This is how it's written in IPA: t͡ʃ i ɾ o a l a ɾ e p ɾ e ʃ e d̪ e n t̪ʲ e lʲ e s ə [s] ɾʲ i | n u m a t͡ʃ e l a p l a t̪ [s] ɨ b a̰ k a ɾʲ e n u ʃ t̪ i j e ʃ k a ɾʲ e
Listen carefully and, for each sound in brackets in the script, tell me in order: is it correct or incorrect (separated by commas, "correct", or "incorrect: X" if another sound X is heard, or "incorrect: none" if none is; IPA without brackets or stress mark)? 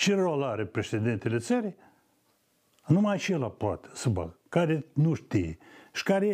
incorrect: none, correct